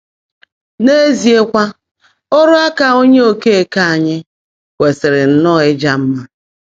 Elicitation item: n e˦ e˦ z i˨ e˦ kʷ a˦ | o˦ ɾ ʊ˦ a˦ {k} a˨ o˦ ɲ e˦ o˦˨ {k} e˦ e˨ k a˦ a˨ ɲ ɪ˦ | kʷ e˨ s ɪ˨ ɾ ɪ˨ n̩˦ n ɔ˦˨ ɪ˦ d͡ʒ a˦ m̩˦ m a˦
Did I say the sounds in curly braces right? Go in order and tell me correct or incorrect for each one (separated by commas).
correct, correct